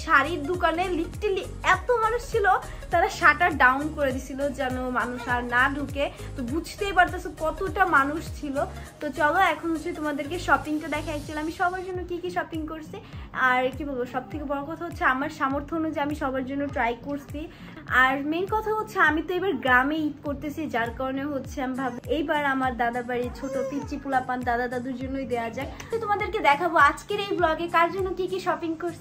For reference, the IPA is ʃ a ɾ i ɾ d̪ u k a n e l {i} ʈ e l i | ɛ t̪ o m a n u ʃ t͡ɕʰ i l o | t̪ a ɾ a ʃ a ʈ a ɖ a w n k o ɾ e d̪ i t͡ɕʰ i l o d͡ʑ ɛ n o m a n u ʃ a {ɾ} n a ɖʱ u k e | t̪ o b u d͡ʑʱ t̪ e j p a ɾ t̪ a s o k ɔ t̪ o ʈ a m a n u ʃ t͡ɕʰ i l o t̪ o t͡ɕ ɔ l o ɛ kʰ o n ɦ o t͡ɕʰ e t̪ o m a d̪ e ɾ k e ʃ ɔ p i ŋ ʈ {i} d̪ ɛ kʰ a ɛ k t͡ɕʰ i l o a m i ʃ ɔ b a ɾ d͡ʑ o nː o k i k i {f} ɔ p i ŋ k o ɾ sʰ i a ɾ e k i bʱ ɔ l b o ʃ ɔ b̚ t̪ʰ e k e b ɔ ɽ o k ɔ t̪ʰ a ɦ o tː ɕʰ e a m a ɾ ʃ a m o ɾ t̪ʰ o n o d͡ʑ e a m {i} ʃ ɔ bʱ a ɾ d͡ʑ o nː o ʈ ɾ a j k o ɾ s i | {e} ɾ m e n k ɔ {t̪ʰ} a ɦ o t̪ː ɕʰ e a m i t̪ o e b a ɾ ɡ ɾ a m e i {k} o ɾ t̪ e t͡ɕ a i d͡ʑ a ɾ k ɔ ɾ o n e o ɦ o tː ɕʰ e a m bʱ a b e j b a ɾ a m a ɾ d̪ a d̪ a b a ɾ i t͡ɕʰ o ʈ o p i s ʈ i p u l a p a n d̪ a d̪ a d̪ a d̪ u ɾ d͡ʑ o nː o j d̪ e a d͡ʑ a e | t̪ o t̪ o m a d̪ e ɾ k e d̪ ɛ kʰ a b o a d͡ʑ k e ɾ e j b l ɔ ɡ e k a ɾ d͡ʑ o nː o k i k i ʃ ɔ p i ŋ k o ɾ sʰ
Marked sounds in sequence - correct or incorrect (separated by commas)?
correct, correct, incorrect, incorrect, correct, incorrect, correct, correct